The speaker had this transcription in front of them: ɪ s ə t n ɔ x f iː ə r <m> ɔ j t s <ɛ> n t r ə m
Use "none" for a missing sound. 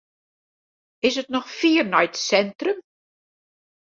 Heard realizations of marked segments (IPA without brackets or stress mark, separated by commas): n, ɛ